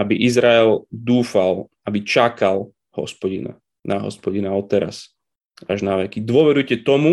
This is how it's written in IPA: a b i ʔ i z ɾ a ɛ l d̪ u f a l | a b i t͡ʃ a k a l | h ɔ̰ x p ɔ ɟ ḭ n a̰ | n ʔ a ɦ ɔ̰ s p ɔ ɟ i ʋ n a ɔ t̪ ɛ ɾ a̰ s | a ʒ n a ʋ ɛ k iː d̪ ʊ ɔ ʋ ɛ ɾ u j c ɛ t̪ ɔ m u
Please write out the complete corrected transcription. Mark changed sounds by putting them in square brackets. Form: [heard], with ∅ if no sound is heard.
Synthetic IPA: a b i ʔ i z ɾ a ɛ l d̪ [uː] f a l | a b i t͡ʃ a k a l | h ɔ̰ [s] p ɔ ɟ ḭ n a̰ | n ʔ a ɦ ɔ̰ s p ɔ ɟ i [∅] n a ɔ t̪ ɛ ɾ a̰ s | a ʒ n a ʋ ɛ k [i] d̪ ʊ ɔ ʋ ɛ ɾ u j c ɛ t̪ ɔ m u